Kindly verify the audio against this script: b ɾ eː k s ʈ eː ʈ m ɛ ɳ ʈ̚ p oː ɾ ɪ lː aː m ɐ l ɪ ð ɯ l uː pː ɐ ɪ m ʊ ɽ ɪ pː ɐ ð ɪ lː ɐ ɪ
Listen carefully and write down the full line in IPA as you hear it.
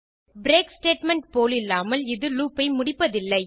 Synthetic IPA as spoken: b ɾ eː k s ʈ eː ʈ m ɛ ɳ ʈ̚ p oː l ɪ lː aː m ɐ l ɪ ð ɯ l uː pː ɐ ɪ m ʊ ɽ ɪ pː ɐ ð ɪ lː ɐ ɪ

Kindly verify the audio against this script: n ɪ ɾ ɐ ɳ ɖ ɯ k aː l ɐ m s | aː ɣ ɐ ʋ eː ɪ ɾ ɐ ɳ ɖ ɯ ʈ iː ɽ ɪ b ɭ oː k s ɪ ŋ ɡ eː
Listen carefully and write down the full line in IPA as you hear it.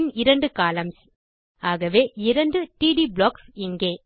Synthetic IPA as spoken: n ɪ ɾ ɐ ɳ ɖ ɯ k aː l ɐ m s | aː ɣ ɐ ʋ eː ɪ ɾ ɐ ɳ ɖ ɯ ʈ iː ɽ i b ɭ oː k s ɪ ŋ ɡ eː

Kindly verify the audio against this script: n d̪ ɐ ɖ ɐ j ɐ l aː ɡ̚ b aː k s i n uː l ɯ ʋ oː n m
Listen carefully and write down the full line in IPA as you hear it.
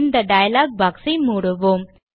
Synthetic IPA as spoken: n d̪ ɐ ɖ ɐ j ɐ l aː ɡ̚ b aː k s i m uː ɽ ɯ ʋ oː m

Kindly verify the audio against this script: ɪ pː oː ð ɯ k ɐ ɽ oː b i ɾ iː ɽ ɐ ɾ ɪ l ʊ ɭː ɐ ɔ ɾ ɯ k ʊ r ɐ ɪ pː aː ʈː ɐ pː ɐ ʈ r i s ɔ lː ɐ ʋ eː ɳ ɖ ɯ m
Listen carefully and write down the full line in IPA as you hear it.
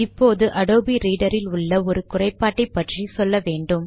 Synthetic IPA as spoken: ɪ pː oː ð ɯ ʔ ɐ ɽ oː b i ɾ iː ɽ ɐ ɾ ɪ l ʊ ɭː ɐ ɔ ɾ ɯ k ʊ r ɐ ɪ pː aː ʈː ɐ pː ɐ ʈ r i s ɔ lː ɐ ʋ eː ɳ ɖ ɯ m

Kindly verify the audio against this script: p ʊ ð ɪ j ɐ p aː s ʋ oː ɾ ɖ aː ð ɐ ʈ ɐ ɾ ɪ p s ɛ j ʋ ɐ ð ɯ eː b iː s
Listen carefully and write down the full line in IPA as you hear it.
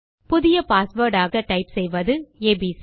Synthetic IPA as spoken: p ʊ ð ɪ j ɐ p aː s ʋ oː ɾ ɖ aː ɣ ɐ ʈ ɐ ɪ p s ɛ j ʋ ɐ ð ɯ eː b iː s

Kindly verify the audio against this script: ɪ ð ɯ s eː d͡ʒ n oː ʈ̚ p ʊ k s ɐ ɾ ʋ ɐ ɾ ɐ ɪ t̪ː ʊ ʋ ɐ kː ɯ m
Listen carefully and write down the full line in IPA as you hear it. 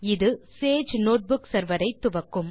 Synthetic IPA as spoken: ɪ ð ɯ s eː d͡ʒ n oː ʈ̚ b ʊ k s ɐ ɾ ʋ ɐ ɾ ɐ ɪ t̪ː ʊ ʋ ɐ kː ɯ m

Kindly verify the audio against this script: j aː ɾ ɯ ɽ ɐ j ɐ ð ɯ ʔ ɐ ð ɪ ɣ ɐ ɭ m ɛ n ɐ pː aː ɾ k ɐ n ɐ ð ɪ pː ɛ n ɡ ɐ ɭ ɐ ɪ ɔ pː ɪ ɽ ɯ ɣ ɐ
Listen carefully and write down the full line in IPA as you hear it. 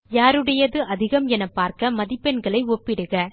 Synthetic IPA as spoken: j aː ɾ ɯ ɽ ɐ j ɐ ð ɯ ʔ ɐ ð ɪ ɣ ɐ m ɛ n ɐ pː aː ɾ k ɐ m ɐ ð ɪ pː ɛ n ɡ ɐ ɭ ɐ ɪ ɔ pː ɪ ɽ ɯ ɣ ɐ

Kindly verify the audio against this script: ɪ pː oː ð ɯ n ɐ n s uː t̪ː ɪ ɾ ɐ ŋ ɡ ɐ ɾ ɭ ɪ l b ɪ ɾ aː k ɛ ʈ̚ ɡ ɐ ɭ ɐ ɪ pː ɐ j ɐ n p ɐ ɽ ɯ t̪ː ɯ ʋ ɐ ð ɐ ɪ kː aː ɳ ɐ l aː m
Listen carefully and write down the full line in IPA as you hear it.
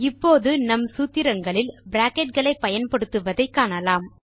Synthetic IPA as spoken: ɪ pː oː ð ɯ n ɐ m s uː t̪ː ɪ ɾ ɐ ŋ ɡ ɐ ɭ ɪ l b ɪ ɾ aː k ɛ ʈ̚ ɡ ɐ ɭ ɐ ɪ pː ɐ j ɐ n p ɐ ɽ ɯ t̪ː ɯ ʋ ɐ ð ɐ ɪ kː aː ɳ ɐ l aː m

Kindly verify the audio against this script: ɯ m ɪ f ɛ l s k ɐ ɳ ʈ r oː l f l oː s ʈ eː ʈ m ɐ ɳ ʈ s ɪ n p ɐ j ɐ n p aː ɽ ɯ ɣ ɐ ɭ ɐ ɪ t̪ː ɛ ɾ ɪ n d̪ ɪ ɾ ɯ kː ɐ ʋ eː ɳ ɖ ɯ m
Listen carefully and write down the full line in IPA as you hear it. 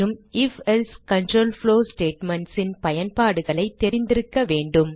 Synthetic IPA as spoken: ɯ m ɪ f ɛ l s k ɐ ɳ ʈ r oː l f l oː s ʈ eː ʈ m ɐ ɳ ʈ s ɪ n p ɐ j ɐ n p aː ɽ ɯ ɣ ɐ ɭ ɐ ɪ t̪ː ɛ ɾ ɪ n d̪ ɪ ɾ ɯ kː ɐ ʋ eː ɳ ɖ ɯ m

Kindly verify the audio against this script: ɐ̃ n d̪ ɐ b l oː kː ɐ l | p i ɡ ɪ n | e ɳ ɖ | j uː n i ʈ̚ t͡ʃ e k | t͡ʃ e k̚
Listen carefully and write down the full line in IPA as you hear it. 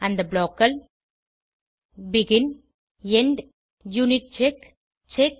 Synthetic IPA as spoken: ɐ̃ n d̪ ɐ b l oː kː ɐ l | b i ɡ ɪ n | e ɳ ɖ | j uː n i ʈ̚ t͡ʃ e k | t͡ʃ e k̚

